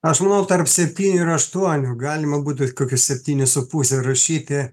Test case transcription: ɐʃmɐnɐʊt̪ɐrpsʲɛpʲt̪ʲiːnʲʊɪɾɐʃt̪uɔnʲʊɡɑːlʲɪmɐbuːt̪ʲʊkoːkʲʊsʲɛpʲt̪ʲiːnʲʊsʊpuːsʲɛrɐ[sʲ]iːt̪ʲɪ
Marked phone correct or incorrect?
incorrect